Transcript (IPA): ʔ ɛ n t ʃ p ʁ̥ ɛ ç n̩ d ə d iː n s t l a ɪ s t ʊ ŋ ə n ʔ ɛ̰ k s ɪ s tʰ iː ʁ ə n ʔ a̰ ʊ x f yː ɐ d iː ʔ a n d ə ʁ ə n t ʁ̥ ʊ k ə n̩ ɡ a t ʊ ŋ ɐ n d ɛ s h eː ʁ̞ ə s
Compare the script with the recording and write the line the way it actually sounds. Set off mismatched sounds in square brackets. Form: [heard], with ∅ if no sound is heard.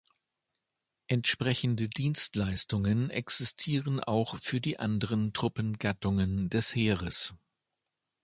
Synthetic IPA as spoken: ʔ ɛ n t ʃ p ʁ̥ ɛ ç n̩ d ə d iː n s t l a ɪ s t ʊ ŋ ə n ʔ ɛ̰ k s ɪ s tʰ iː ʁ ə n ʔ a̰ ʊ x f yː ɐ d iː ʔ a n d ə ʁ ə n t ʁ̥ ʊ [p] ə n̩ ɡ a t ʊ ŋ [ə] n d ɛ s h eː ʁ̞ ə s